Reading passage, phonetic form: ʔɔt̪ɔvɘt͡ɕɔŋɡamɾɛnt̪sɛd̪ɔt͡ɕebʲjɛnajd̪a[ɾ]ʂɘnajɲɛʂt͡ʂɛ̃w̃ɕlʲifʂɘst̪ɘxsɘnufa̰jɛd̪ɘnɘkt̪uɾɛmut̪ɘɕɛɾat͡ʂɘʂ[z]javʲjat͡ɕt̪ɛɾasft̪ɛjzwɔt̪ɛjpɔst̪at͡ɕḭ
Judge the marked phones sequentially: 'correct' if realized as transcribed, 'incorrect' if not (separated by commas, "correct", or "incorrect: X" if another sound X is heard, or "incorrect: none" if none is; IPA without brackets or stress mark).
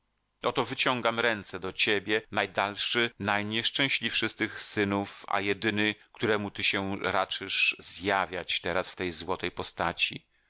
incorrect: l, correct